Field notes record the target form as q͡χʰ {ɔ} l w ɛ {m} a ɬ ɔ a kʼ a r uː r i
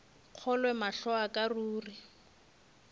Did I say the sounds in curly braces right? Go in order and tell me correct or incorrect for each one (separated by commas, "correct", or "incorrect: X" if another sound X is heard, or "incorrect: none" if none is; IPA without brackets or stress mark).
correct, correct